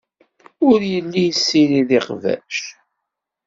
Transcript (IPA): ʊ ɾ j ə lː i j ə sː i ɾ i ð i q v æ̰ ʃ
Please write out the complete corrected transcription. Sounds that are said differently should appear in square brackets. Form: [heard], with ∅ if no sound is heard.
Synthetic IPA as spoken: ʊ ɾ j ə lː i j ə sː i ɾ i ð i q v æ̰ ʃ

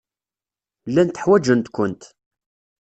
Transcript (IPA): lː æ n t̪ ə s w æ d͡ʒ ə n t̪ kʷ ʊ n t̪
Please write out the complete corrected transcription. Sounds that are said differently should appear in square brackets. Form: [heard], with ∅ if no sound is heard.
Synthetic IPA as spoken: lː æ n t̪ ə [ħ] w æ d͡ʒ ə n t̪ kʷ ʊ n t̪

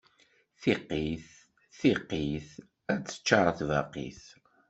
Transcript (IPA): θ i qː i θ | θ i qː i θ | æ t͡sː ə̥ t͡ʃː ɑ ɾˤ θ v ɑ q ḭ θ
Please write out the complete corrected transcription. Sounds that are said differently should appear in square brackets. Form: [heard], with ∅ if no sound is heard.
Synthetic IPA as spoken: θ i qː i θ | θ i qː i θ | æ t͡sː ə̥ t͡ʃː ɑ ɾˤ θ v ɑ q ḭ θ

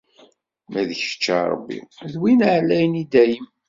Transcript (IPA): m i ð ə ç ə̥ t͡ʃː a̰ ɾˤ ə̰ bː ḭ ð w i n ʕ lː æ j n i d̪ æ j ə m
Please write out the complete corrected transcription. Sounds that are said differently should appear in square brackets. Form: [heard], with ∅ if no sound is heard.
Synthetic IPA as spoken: m [æ] ð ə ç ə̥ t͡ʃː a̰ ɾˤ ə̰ bː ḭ ð w i n ʕ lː æ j n i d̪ æ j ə m

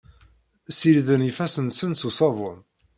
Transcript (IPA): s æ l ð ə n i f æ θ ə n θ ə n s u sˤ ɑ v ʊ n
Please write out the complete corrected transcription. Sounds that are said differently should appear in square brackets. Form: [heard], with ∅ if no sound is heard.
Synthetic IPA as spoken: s [i] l ð ə n i f æ [s] ə n [s] ə n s u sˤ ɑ v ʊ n

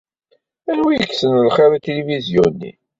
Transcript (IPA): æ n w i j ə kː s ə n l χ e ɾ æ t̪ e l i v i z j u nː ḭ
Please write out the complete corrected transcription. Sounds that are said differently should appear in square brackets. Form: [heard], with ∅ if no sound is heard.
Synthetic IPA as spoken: æ n w i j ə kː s ə n l χ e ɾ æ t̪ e l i v i z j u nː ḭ

